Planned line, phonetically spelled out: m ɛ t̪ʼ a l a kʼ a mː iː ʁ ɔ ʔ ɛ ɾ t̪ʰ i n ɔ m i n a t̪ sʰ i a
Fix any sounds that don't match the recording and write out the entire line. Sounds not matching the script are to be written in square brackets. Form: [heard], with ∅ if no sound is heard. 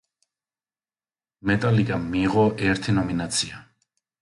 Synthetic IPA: m ɛ t̪ʼ a l [i] kʼ a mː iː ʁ ɔ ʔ ɛ ɾ t̪ʰ i n ɔ m i n a t̪ sʰ i a